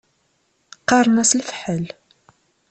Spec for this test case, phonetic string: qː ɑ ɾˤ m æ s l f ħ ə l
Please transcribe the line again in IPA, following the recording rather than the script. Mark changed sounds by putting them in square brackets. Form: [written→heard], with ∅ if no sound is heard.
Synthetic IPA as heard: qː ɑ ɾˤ [m→n] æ s l f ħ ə l